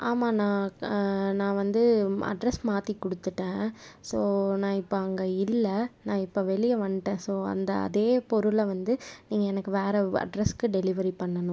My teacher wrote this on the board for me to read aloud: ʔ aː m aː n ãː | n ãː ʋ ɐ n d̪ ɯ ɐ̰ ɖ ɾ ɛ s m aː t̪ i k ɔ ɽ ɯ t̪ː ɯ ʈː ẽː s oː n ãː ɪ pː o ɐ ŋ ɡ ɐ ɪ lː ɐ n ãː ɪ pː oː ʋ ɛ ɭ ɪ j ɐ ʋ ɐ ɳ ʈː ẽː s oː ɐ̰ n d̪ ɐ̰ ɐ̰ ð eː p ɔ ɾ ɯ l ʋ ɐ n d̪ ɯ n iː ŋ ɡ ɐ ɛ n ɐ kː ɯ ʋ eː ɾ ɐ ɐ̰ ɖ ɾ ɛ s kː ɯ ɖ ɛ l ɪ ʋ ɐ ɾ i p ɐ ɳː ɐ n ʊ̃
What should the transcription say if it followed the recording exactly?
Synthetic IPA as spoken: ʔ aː m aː n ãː | n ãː ʋ ɐ n d̪ ɯ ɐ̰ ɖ ɾ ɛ s m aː t̪ i k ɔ ɽ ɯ t̪ː ɯ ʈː ẽː s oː n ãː ɪ pː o ɐ ŋ ɡ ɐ ɪ lː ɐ n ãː ɪ pː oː ʋ ɛ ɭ ɪ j ɐ ʋ ɐ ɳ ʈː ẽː s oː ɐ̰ n d̪ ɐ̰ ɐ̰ ð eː p ɔ ɾ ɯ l ʋ ɐ n d̪ ɯ n iː ŋ ɡ ɐ ɛ n ɐ kː ɯ ʋ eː ɾ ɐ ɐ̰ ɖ ɾ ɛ s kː ɯ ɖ ɛ l ɪ ʋ ɐ ɾ i p ɐ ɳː ɐ n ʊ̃